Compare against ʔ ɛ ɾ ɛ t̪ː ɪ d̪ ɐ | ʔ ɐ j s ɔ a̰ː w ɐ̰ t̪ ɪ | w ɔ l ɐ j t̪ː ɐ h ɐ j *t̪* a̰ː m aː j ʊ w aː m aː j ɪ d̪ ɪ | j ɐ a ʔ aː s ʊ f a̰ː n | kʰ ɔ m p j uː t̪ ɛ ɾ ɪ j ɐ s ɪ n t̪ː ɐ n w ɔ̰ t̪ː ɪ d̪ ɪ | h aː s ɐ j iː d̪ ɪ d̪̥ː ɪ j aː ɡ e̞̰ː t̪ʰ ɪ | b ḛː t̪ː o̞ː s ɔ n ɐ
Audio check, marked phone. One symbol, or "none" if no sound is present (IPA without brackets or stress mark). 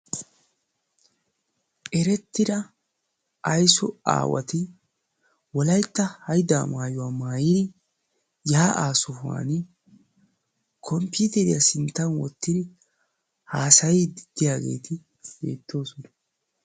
d̪